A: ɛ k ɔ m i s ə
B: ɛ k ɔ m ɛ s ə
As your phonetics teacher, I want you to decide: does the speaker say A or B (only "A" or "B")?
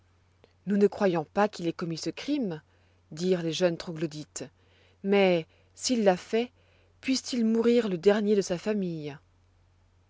A